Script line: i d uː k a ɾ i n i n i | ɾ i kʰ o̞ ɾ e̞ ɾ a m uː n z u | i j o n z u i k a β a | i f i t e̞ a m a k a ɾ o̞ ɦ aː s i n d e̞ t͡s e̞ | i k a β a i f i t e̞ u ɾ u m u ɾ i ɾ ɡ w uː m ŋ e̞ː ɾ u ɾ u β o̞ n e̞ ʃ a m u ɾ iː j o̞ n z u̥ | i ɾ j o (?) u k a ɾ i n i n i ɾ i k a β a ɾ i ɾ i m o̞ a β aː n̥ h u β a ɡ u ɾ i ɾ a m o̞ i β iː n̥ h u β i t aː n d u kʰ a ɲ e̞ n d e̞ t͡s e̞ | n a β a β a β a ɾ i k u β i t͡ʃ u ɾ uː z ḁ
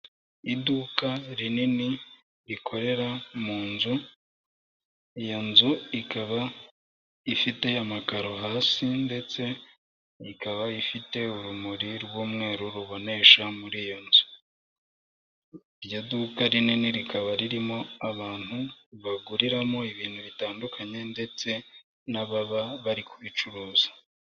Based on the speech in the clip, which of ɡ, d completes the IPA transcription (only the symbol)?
d